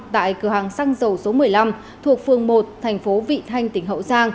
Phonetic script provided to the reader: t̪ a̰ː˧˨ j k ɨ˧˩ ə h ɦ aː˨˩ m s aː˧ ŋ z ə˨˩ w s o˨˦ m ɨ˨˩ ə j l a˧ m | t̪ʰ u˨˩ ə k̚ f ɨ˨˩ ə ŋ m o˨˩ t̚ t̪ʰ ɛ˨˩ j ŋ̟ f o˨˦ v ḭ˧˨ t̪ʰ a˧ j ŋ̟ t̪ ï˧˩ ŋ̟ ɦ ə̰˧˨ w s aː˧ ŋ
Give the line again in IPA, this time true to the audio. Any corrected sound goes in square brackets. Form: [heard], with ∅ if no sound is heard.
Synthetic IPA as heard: t̪ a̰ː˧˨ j k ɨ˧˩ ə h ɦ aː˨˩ [ŋ] s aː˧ ŋ z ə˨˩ w s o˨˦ m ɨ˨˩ ə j l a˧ m | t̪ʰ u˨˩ ə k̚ f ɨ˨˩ ə ŋ m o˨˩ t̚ t̪ʰ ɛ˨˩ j ŋ̟ f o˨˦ v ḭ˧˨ t̪ʰ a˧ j ŋ̟ t̪ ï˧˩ ŋ̟ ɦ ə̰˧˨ w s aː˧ ŋ